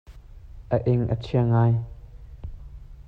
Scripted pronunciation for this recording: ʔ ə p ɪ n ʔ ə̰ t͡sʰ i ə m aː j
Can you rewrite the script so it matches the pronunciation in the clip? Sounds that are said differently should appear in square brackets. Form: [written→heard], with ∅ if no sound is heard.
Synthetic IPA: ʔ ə [p→ʔ] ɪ [n→ŋ] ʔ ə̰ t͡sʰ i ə [m→ŋ] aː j